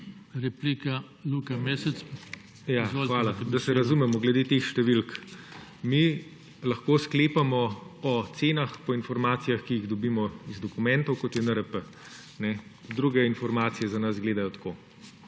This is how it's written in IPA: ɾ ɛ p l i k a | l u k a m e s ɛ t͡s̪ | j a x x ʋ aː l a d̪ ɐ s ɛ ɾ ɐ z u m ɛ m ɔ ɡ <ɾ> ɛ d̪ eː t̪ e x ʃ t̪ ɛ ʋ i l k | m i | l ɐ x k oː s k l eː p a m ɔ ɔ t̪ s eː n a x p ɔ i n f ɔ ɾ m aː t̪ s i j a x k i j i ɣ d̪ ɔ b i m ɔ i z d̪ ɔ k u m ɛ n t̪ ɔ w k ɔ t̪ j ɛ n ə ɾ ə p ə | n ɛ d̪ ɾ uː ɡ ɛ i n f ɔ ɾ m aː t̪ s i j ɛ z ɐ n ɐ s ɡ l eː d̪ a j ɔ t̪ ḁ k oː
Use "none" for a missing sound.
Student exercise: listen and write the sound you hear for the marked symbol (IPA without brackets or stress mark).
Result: l